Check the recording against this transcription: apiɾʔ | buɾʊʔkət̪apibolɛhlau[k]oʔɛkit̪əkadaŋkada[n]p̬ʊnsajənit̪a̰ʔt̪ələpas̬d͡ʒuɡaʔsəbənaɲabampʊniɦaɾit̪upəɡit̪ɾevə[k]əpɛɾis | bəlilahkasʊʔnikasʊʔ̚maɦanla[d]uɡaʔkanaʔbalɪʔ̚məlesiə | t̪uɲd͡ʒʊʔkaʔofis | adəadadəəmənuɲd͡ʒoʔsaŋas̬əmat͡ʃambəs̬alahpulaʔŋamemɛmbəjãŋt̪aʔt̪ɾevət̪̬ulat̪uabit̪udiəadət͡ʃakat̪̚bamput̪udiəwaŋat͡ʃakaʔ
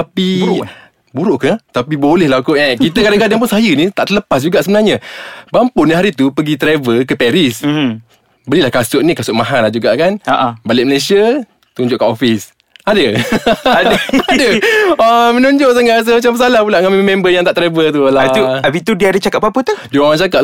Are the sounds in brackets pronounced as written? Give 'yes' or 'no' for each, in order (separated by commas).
yes, no, yes, no